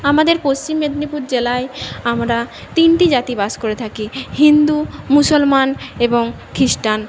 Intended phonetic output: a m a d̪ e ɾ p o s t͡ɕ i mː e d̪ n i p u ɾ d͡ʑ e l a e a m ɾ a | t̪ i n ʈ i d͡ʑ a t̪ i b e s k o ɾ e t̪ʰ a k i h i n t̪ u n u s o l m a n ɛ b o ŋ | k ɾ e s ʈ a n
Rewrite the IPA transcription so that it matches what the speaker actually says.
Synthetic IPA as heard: a m a d̪ e ɾ p o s t͡ɕ i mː e d̪ n i p u ɾ d͡ʑ e l a e a m ɾ a | t̪ i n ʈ i d͡ʑ a t̪ i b a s k o ɾ e t̪ʰ a k i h i n d̪ u m u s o l m a n e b o ŋ | k ɾ i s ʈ a n